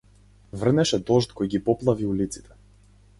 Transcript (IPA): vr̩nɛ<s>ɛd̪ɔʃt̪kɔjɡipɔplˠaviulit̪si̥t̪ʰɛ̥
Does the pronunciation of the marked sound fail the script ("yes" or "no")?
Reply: yes